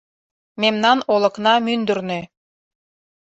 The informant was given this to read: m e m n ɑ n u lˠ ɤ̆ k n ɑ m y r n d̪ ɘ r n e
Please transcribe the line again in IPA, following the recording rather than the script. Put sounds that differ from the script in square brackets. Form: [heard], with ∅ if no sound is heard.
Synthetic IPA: m e m n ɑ n [o] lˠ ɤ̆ k n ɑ m y [∅] n d̪ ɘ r n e